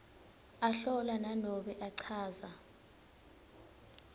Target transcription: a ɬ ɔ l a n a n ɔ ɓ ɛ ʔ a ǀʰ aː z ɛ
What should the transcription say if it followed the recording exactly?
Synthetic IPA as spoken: a ɬ ɔ l a n a n ɔ ɓ ɛ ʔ a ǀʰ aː z a